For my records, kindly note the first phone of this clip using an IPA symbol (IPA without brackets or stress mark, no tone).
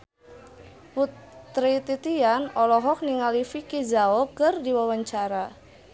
p